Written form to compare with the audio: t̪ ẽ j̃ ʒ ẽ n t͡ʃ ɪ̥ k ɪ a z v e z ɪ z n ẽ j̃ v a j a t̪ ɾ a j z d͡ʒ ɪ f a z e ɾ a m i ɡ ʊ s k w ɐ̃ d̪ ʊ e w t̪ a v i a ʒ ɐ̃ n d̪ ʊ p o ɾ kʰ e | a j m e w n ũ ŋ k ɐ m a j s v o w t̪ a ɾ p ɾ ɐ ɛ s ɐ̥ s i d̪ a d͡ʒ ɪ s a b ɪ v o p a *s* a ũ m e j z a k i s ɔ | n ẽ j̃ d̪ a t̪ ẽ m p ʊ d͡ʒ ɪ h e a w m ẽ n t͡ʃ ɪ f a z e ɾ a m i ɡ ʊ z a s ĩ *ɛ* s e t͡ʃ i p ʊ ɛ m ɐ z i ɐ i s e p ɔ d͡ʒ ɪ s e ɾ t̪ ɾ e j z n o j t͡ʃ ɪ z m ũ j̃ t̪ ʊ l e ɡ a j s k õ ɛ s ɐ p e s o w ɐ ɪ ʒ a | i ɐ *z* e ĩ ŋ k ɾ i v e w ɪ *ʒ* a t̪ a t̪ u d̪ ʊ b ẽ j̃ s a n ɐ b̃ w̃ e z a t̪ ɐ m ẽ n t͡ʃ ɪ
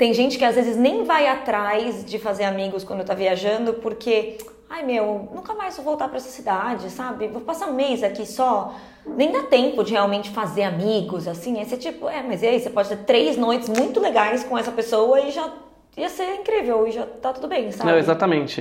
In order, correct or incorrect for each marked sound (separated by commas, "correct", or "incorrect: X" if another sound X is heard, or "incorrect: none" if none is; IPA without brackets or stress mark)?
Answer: correct, correct, incorrect: s, correct